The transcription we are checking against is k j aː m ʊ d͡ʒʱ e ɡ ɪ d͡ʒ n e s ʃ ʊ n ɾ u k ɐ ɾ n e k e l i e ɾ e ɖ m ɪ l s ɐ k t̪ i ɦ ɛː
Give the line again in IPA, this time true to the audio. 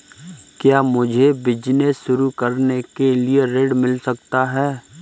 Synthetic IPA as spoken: k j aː m ʊ d͡ʒʱ e b ɪ d͡ʒ n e s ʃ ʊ ɾ u k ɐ ɾ n e k e l i e ɾ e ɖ m ɪ l s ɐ k t̪ a ɦ ɛː

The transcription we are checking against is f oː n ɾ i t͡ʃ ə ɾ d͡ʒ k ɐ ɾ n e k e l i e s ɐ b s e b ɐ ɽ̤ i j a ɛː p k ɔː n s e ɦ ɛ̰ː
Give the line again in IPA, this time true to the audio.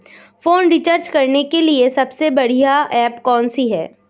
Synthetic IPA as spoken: f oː n ɾ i t͡ʃ ə ɾ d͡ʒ k ɐ ɾ n e k e l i e s ɐ b s e b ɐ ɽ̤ i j a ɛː p k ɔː n s i ɦ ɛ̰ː

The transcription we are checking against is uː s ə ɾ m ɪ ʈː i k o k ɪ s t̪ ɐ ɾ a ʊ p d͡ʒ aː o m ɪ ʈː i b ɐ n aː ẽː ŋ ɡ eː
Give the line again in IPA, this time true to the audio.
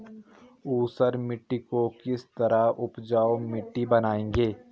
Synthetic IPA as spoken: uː s ə ɾ m ɪ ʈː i k o k ɪ s t̪ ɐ ɾ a ʊ p d͡ʒ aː o m ɪ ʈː i b ɐ n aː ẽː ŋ ɡ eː

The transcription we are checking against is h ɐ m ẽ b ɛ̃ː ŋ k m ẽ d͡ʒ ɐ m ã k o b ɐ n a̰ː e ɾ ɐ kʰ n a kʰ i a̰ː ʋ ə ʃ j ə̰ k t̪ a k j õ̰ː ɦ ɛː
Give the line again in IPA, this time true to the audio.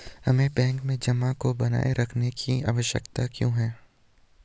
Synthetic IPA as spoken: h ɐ m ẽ b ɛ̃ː ŋ k m ẽ d͡ʒ ɐ m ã k o b ɐ n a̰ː e ɾ ɐ kʰ n e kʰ i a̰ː ʋ ə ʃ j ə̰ k t̪ a k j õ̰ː ɦ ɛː

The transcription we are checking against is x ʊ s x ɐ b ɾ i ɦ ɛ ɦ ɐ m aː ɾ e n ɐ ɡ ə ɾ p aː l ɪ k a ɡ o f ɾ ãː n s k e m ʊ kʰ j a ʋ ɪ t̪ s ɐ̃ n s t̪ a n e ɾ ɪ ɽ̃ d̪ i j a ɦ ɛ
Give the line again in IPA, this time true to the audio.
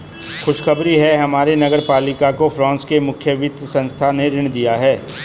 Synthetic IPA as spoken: x ʊ ʃ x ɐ b ɾ i ɦ ɛ ɦ ɐ m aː ɾ e n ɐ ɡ ə ɾ p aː l ɪ k a k o f ɾ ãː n s k e m ʊ kʰ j ə ʋ ɪ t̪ s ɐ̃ n s t̪ʰ a n e ɾ ɪ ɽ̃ d̪ i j a ɦ ɛː

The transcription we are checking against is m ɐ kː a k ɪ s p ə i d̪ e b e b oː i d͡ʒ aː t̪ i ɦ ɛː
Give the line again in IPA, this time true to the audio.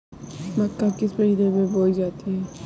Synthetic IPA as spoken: m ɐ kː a k ɪ s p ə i d̪ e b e b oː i d͡ʒ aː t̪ i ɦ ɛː

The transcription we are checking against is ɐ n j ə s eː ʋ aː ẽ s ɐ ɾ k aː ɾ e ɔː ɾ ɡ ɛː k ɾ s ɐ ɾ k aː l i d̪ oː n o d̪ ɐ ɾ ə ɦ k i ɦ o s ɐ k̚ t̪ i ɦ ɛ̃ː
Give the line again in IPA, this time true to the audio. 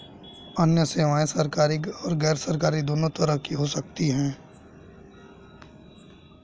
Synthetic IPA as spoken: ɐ n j ə s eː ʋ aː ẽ s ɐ ɾ k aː ɾ i ɔː ɾ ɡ ɛː ɾ s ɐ ɾ k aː ɾ i d̪ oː n o t̪ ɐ ɾ ə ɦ k i ɦ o s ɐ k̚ t̪ i ɦ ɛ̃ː

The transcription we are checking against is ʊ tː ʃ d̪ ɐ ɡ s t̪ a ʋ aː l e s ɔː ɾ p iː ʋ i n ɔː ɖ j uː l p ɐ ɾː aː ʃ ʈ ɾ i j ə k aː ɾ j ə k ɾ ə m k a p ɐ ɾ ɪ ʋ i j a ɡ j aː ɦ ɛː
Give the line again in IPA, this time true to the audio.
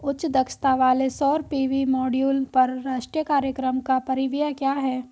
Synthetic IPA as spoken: ʊ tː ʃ d̪ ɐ k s t̪ a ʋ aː l e s ɔː ɾ p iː ʋ i m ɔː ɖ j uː l p ɐ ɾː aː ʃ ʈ ɾ i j ə k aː ɾ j ə k ɾ ə m k a p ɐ ɾ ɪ ʋ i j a k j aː ɦ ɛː

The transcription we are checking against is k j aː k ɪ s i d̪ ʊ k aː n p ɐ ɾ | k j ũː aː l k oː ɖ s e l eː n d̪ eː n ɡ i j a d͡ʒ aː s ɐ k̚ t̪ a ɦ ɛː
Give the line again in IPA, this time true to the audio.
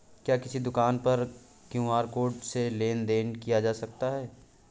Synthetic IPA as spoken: k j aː k ɪ s i d̪ ʊ k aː n p ɐ ɾ | k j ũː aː ɾ k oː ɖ s e l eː n d̪ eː n k i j a d͡ʒ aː s ɐ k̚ t̪ a ɦ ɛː

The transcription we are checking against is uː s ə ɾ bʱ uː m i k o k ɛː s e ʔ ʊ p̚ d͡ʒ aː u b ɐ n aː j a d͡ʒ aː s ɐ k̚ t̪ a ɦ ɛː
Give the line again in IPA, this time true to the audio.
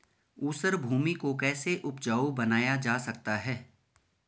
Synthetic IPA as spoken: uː s ə ɾ bʱ uː m i k o k ɛː s e ʔ ʊ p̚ d͡ʒ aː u b ɐ n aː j a d͡ʒ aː s ɐ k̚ t̪ a ɦ ɛː

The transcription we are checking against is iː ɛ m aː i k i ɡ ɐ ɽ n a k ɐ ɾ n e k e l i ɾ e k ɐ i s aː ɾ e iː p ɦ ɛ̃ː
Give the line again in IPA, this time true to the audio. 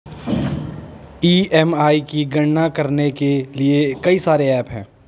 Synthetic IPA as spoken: iː ɛ m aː i k i ɡ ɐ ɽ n a k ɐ ɾ n e k e l i e k ɐ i s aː ɾ e ɛː p ɦ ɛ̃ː

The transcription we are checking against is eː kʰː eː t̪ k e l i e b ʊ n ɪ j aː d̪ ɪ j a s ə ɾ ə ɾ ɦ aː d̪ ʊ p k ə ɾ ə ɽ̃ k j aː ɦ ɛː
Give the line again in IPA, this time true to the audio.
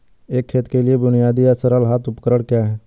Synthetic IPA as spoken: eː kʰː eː t̪ k e l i e b ʊ n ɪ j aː d̪ i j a s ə ɾ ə l ɦ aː t̪ ʊ p k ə ɾ ə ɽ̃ k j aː ɦ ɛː

